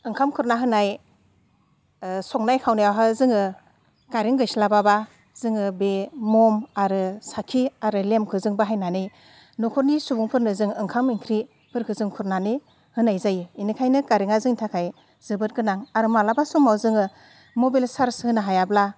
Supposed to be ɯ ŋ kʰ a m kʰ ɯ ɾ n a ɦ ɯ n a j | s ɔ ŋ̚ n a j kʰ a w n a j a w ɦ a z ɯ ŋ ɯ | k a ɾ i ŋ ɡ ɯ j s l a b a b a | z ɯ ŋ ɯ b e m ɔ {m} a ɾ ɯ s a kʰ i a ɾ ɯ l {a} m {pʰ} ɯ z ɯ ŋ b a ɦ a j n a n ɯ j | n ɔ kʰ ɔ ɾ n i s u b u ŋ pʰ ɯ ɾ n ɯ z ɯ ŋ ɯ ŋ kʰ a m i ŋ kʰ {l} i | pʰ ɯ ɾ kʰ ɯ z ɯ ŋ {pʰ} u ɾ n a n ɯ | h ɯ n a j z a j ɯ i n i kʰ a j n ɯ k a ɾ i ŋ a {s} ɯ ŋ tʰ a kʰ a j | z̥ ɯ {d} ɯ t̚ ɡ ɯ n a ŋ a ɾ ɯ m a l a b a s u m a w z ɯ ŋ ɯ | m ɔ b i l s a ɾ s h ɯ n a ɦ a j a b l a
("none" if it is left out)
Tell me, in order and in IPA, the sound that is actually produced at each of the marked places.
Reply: m, e, kʰ, ɾ, kʰ, z, b

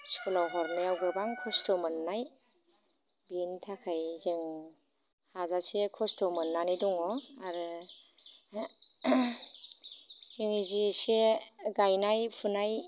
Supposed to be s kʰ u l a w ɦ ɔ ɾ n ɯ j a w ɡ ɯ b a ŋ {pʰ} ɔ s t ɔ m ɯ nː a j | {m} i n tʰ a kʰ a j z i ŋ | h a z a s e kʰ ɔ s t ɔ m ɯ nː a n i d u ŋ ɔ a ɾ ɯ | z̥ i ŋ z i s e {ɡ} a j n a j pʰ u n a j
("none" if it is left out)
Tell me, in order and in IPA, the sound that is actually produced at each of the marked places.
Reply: kʰ, b, ɡ

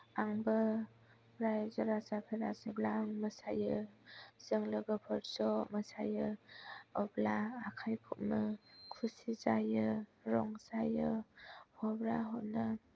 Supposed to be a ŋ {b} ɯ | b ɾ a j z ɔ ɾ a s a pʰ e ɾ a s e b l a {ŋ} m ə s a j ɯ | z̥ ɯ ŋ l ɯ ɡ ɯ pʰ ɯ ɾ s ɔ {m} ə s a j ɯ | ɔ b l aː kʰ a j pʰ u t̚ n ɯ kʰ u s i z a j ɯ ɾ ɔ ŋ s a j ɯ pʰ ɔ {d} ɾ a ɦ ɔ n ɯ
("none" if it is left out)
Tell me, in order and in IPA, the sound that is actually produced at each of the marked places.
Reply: b, ŋ, m, b

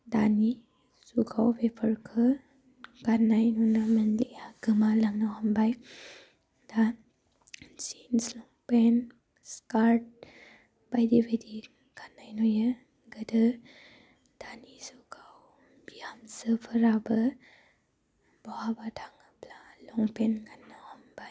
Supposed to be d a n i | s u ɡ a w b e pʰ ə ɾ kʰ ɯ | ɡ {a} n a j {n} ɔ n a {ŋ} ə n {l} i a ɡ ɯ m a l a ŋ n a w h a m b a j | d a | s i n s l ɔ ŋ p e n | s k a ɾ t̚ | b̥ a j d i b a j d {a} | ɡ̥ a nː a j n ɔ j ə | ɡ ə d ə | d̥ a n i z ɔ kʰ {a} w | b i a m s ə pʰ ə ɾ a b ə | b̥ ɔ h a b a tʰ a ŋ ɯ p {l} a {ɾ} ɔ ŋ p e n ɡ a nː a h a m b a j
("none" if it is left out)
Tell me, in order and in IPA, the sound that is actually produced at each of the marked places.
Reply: a, n, m, l, i, a, l, l

